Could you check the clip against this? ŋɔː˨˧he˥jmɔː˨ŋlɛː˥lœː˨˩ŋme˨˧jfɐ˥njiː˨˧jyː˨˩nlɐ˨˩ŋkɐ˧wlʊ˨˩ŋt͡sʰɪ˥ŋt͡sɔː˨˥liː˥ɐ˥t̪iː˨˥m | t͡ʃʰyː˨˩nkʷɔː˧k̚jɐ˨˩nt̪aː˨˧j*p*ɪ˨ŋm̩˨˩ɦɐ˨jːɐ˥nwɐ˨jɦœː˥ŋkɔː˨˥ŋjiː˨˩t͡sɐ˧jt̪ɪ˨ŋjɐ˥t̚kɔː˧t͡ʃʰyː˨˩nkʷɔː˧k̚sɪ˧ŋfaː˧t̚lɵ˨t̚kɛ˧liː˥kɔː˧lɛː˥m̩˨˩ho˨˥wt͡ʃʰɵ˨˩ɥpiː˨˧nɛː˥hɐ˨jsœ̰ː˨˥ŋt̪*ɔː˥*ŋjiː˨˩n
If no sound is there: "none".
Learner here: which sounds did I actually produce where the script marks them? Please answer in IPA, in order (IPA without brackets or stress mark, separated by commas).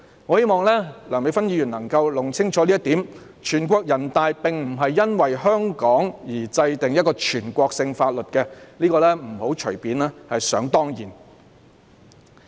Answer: p, ɔː˥